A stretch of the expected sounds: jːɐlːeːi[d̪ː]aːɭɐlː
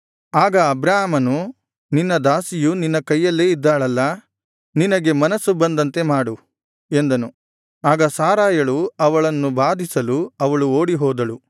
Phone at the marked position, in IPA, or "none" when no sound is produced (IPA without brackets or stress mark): d̪ː